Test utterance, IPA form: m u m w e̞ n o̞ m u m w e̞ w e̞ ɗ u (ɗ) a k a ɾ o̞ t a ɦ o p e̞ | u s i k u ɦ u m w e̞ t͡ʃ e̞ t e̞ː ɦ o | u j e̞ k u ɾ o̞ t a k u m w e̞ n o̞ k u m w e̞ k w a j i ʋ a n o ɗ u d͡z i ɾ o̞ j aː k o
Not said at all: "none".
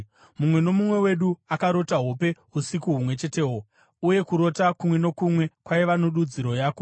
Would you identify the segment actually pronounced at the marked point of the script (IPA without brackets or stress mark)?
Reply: none